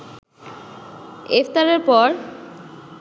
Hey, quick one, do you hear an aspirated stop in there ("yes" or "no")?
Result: no